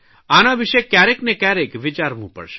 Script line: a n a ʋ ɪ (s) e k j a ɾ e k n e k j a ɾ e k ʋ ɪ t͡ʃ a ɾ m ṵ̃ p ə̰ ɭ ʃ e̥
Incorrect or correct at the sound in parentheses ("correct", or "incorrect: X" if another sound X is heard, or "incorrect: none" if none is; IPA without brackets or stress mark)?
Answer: incorrect: ʃ